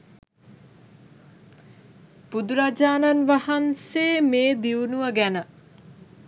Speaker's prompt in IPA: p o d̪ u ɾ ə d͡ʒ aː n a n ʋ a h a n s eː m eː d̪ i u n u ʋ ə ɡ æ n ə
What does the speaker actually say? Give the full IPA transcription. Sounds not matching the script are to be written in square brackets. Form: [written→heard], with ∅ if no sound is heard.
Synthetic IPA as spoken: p [o→u] d̪ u ɾ [ə→a] d͡ʒ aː n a n ʋ a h a n s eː m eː d̪ i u n u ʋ ə ɡ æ n ə